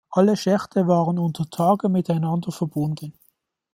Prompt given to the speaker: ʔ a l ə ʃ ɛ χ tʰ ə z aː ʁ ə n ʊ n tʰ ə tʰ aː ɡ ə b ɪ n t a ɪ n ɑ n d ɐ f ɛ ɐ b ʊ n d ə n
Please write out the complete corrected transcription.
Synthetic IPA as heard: ʔ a l ə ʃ ɛ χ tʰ ə v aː ʁ ə n ʊ n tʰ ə tʰ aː ɡ ə m ɪ t a ɪ n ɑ n d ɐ f ɛ ɐ b ʊ n d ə n